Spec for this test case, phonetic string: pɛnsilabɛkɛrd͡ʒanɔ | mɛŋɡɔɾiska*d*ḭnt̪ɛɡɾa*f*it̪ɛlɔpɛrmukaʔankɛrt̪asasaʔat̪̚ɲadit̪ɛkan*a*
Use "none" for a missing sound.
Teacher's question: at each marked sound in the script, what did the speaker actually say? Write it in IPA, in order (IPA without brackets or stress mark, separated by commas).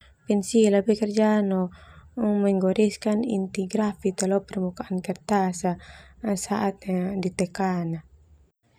n, f, a